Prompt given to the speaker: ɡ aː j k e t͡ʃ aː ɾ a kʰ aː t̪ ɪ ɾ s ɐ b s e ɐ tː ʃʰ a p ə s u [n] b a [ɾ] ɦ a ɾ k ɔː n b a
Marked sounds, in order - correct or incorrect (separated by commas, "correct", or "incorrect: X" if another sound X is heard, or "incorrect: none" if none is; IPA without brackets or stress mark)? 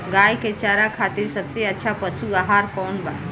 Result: incorrect: none, incorrect: none